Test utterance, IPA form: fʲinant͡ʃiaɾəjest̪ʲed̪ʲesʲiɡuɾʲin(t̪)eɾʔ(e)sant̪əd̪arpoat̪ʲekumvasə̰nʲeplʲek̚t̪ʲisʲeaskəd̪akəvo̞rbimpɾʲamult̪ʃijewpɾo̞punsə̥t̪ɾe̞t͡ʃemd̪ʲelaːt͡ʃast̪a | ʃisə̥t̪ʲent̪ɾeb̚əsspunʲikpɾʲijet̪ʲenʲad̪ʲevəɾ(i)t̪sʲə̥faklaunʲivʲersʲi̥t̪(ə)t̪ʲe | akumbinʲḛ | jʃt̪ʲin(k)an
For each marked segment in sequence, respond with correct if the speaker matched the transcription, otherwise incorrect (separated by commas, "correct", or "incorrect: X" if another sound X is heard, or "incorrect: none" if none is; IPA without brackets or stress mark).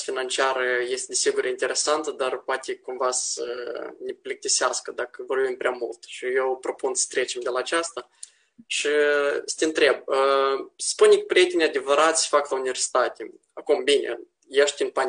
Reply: correct, correct, incorrect: a, incorrect: a, incorrect: p